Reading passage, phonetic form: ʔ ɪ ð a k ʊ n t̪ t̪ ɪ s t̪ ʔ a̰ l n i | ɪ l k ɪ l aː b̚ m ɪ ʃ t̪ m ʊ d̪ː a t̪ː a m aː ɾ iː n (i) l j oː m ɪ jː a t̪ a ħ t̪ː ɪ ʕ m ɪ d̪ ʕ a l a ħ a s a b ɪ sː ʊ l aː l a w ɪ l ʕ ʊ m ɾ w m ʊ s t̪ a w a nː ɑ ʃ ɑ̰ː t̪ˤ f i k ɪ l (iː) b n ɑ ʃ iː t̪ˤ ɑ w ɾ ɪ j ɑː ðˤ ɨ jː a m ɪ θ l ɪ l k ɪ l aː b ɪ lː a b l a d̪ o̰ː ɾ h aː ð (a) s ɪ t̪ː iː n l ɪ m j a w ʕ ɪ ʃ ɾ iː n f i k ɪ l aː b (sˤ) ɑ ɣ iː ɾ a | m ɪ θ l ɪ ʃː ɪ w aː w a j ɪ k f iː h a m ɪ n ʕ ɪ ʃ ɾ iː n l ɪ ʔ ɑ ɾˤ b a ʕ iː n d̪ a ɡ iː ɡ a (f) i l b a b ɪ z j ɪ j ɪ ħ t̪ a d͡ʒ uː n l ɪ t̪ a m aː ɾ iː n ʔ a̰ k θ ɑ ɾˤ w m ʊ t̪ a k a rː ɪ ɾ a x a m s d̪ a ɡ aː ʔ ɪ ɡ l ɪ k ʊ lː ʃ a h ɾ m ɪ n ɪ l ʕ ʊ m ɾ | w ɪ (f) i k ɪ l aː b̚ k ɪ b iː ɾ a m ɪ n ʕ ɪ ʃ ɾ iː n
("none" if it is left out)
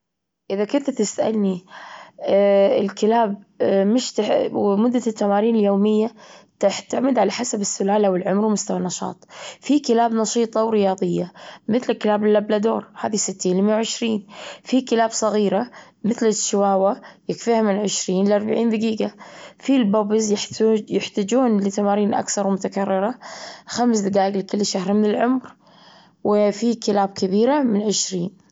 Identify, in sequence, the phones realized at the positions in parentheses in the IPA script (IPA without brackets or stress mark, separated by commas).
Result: ɪ, aː, i, sˤ, f, f